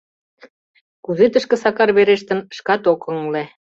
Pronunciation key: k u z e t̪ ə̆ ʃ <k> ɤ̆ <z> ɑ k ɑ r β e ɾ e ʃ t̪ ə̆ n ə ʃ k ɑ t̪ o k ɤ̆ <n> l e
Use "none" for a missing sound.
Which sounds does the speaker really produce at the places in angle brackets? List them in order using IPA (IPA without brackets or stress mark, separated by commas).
k, s, ŋ